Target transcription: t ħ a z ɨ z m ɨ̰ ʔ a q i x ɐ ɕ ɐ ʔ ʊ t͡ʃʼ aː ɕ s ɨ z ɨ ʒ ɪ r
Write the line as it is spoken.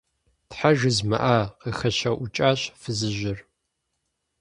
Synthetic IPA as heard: t ħ a ʒ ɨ z m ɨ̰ ʔ a q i x ɐ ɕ ɐ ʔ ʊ t͡ʃʼ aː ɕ f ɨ z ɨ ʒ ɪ r